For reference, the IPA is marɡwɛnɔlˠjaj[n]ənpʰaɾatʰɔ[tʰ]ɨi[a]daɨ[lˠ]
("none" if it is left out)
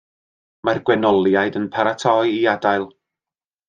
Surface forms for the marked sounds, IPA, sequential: d, none, a, lˠ

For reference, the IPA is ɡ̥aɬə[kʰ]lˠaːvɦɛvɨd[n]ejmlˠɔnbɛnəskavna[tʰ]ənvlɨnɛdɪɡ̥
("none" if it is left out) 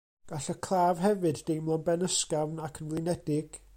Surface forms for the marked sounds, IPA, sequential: kʰ, d, kʰ

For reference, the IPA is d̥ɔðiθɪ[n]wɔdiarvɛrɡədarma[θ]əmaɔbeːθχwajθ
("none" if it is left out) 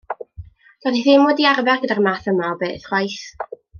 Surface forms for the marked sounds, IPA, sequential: m, θ

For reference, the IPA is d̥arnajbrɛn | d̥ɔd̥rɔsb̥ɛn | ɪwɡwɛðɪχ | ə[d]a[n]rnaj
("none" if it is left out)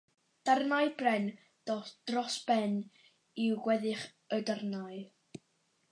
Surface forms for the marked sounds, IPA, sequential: d, none

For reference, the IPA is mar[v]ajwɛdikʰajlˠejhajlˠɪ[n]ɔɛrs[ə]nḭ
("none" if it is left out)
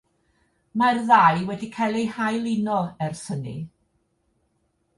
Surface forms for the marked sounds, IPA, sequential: ð, n, ə

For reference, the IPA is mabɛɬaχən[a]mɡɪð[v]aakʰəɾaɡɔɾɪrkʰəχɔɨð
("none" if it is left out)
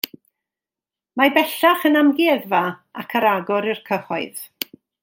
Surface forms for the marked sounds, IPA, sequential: a, v

